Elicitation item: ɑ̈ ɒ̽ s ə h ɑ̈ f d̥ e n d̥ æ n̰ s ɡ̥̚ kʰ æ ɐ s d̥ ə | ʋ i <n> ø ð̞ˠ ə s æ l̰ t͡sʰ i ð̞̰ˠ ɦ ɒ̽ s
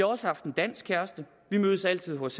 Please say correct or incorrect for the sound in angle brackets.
incorrect